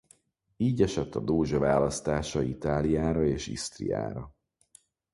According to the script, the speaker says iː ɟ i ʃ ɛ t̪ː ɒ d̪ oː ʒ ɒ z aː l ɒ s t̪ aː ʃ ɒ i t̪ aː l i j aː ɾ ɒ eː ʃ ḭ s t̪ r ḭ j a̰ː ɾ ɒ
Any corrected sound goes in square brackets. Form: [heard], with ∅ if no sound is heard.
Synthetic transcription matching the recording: iː ɟ [ɛ] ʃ ɛ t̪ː ɒ d̪ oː ʒ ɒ [v] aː l ɒ s t̪ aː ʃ ɒ i t̪ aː l i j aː ɾ ɒ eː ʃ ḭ s t̪ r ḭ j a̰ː ɾ ɒ